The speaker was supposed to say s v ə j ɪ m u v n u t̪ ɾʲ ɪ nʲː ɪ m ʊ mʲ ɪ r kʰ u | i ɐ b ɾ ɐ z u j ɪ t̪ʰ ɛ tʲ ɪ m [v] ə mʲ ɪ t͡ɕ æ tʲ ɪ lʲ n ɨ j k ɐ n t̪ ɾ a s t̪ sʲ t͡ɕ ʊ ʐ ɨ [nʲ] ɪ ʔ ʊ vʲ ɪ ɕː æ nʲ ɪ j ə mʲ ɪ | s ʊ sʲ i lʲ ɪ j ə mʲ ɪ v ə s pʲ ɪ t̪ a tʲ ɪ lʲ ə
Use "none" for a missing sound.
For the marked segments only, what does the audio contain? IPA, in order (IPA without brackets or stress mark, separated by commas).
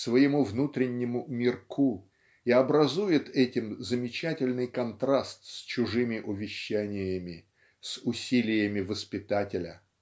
z, mʲ